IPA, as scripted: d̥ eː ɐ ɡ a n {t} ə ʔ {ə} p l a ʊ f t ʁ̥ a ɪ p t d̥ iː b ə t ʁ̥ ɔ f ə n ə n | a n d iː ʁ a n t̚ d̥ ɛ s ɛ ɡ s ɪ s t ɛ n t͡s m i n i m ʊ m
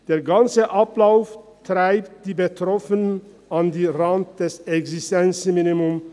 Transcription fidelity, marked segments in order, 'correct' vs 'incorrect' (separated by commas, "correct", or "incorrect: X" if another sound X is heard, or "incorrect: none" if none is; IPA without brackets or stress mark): incorrect: t͡s, incorrect: a